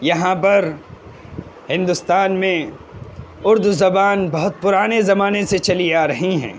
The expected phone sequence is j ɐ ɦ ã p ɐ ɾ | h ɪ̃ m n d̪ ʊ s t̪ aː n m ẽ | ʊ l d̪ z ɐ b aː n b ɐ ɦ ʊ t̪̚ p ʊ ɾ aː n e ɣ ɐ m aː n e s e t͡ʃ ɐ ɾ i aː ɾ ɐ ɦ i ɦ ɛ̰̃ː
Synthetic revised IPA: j ɐ ɦ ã p ɐ ɾ | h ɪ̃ n d̪ ʊ s t̪ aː n m ẽ | ʊ ɾ d̪ z ɐ b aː n b ɐ ɦ ʊ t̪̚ p ʊ ɾ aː n e z ɐ m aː n e s e t͡ʃ ɐ l i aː ɾ ɐ ɦ i ɦ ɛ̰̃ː